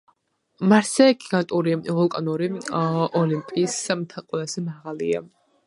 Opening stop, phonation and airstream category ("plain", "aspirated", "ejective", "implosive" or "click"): plain